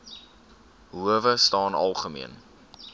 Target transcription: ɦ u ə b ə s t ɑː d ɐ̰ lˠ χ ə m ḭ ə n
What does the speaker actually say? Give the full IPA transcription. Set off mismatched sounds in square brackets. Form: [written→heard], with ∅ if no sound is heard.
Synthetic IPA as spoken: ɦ u ə [b→v] ə s t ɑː [d→n] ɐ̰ lˠ χ ə m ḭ ə n